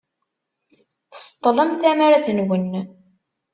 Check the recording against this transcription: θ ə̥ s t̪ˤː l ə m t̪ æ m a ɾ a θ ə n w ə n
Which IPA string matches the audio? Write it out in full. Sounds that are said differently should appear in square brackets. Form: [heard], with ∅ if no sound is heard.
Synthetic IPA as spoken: θ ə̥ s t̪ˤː l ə m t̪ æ m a ɾ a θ ə n w ə n